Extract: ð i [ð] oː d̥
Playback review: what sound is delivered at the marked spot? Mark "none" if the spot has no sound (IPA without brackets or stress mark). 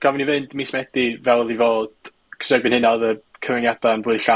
v